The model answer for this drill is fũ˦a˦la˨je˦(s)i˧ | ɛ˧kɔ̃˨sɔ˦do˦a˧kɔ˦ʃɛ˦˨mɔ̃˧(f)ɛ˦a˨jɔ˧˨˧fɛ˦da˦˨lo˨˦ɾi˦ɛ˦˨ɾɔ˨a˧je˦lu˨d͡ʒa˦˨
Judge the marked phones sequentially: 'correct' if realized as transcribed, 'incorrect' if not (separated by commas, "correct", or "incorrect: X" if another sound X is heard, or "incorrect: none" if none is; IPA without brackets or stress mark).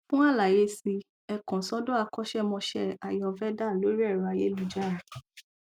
correct, incorrect: ʃ